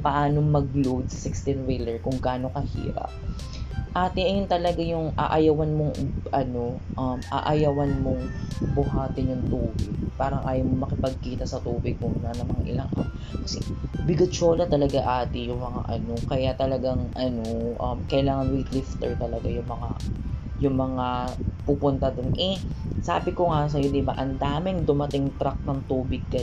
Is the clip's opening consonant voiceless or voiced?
voiceless